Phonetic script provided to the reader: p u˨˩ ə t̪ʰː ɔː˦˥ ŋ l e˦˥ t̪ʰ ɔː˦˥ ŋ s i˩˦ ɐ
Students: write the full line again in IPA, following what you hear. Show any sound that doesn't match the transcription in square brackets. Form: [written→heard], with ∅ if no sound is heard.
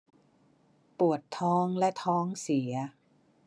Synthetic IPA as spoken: p u˨˩ ə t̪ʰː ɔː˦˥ ŋ l [e˦˥→ɛ˦˥] t̪ʰ ɔː˦˥ ŋ s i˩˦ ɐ